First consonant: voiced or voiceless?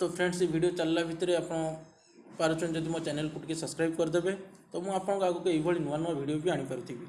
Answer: voiceless